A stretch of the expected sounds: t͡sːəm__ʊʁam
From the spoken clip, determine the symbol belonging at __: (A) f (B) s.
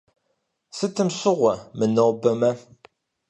B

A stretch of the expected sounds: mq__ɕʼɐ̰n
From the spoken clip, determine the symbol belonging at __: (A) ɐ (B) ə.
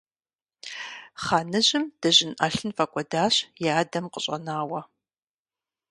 B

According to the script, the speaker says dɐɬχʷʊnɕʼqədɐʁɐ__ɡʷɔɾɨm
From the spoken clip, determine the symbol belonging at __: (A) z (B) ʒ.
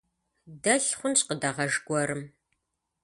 B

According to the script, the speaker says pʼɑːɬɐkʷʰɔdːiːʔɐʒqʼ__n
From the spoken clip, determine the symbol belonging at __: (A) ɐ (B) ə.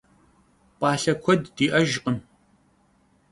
B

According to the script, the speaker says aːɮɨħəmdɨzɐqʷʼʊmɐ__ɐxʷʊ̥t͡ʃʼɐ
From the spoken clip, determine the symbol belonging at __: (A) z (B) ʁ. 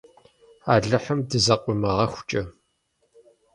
B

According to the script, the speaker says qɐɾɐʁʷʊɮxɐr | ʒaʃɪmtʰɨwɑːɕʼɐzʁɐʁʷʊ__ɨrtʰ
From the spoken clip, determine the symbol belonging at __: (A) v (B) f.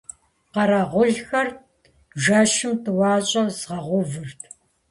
A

